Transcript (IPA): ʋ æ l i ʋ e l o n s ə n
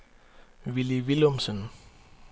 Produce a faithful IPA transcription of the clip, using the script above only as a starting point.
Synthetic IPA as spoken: ʋ i l i ʋ i l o m s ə n